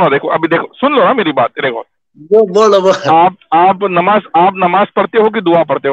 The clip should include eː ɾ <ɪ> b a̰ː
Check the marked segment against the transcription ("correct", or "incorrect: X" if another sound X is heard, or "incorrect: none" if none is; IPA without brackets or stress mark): incorrect: i